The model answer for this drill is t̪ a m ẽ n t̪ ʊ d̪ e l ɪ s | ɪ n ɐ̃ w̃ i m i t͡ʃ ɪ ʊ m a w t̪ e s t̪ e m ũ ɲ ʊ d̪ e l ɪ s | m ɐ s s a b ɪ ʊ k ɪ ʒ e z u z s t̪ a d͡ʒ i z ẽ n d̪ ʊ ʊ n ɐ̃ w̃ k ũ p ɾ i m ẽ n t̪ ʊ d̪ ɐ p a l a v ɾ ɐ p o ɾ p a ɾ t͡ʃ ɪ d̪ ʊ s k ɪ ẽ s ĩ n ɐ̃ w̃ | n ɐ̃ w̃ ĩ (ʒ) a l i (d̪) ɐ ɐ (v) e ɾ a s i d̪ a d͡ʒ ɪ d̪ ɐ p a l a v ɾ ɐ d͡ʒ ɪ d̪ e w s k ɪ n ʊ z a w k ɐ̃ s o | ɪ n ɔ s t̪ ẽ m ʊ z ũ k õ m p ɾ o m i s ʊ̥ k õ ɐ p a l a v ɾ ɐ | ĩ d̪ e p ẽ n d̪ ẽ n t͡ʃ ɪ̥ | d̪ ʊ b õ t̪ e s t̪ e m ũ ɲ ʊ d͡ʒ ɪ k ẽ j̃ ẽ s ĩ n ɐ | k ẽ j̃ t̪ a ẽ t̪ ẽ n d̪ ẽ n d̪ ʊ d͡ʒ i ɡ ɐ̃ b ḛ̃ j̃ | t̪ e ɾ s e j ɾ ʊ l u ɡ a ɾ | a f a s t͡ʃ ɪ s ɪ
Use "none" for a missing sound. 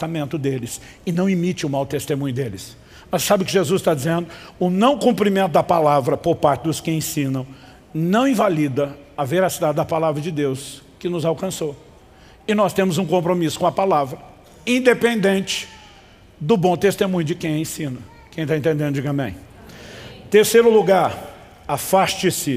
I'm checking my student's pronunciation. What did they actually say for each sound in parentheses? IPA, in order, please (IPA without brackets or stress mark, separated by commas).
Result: v, d̪, v